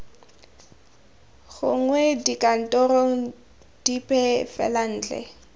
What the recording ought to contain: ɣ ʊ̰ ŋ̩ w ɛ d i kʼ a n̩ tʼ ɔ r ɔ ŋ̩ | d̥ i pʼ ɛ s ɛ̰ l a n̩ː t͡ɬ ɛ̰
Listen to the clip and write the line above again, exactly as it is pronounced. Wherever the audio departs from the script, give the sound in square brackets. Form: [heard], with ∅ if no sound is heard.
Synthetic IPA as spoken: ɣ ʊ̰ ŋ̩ w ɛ d i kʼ a n̩ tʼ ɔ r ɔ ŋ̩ | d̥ i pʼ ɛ [f] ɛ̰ l a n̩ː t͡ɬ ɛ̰